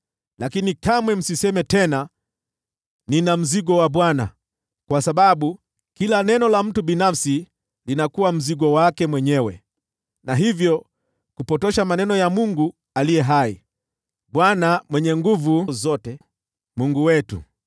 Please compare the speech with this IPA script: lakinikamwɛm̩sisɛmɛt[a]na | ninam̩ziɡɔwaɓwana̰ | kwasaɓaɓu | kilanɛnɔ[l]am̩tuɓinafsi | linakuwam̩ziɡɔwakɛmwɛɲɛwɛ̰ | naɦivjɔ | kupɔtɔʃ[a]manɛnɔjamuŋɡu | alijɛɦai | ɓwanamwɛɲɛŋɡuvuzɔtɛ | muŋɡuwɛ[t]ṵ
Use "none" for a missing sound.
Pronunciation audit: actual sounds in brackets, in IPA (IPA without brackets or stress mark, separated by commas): ɛ, l, a, t